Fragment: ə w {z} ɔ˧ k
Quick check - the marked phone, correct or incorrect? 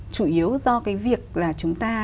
correct